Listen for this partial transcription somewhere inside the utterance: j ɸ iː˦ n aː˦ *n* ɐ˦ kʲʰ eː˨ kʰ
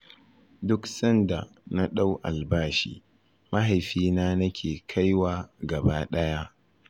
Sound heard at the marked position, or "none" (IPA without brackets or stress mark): n